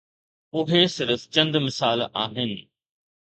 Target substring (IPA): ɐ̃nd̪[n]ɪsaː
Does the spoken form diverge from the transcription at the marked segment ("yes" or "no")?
yes